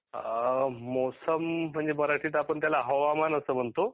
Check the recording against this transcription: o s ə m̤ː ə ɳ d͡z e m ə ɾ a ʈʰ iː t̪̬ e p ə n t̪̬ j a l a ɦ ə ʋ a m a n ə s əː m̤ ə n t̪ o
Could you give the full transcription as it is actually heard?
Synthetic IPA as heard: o s ə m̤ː ə ɳ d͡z e m ə ɾ a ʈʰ iː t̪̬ a p ə ɳ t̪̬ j a l a ɦ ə ʋ a m a n ə s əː m̤ ə ɳ t̪ o